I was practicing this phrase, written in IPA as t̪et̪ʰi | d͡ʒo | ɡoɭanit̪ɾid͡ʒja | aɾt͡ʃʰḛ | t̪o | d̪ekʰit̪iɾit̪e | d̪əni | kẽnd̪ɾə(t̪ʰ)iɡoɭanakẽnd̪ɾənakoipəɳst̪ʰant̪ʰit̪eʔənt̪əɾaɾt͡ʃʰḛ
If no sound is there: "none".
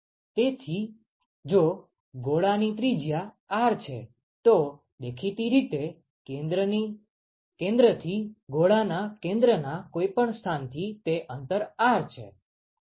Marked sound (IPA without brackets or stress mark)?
t̪ʰ